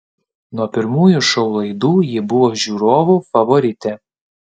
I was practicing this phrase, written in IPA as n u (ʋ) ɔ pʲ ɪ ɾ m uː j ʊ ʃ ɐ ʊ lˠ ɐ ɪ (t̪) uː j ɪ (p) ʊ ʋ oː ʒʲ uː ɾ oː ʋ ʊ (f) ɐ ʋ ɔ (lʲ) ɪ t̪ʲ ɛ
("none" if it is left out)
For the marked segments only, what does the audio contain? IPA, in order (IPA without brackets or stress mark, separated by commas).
none, d̪, b, f, ɾʲ